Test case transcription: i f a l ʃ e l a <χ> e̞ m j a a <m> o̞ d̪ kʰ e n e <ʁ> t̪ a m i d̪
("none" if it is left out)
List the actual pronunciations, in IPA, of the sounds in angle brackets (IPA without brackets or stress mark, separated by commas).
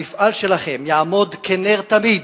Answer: χ, m, ʁ